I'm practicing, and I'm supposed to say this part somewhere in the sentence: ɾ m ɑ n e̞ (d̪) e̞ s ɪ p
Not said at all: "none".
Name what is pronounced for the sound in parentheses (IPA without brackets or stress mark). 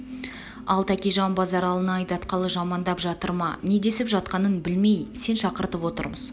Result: d̪